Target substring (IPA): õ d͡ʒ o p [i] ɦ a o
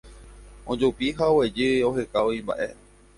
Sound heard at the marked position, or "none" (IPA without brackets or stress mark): i